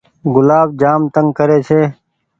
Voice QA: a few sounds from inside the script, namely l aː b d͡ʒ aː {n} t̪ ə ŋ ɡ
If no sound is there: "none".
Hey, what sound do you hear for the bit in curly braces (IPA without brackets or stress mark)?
m